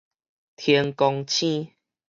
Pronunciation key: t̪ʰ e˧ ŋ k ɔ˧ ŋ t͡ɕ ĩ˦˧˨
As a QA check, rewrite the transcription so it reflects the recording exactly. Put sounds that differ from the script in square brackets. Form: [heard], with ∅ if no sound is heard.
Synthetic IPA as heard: t̪ʰ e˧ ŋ k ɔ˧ ŋ [t͡ɕʰ] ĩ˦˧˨